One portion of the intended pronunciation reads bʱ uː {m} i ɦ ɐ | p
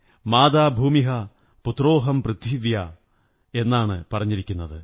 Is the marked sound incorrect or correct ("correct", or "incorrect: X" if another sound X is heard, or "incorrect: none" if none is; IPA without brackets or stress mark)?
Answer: correct